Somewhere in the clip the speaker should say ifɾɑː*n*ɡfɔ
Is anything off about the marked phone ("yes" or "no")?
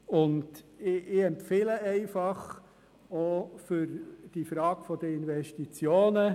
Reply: yes